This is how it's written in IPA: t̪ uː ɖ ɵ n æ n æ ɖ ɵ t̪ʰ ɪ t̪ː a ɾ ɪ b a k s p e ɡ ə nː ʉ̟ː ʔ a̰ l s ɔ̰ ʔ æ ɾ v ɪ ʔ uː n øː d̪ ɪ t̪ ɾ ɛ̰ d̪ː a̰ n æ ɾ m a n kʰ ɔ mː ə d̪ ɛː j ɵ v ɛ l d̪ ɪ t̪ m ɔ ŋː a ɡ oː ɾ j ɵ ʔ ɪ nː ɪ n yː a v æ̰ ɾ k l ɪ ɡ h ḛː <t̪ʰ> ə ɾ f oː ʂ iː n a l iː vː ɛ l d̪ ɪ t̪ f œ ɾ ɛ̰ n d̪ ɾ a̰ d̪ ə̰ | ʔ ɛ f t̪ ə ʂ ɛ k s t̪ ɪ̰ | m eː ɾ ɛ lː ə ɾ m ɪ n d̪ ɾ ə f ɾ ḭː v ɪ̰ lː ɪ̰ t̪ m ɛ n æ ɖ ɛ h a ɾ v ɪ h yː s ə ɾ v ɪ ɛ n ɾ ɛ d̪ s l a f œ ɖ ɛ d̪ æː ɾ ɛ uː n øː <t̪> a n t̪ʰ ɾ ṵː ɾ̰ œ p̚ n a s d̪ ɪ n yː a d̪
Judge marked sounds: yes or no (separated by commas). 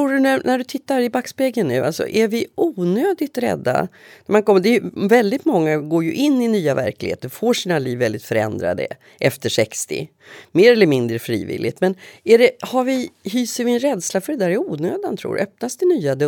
no, no